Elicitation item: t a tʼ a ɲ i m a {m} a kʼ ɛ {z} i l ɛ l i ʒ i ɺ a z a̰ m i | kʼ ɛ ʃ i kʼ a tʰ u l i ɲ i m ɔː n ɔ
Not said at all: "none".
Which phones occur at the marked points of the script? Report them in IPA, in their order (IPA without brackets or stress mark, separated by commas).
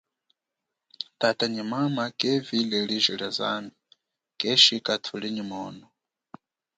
m, v